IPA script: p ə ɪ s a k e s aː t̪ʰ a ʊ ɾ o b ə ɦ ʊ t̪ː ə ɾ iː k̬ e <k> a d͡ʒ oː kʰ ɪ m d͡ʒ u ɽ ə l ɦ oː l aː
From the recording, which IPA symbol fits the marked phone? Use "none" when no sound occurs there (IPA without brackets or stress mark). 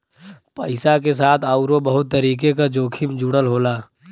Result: k